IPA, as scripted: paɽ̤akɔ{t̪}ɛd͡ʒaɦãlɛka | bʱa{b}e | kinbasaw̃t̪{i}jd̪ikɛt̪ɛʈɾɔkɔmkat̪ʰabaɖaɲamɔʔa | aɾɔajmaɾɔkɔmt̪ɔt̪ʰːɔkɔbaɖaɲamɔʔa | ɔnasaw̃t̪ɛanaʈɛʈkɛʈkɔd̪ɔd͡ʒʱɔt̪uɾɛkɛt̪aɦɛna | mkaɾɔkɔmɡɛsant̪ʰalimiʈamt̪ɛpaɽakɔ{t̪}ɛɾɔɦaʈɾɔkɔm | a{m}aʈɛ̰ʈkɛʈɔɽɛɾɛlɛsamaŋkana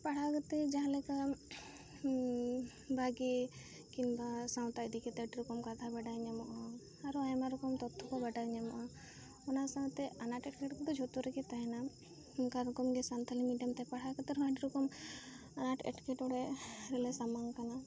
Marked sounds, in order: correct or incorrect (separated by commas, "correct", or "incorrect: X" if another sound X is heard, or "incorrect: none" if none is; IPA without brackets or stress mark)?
correct, incorrect: ɡ, incorrect: a, correct, incorrect: n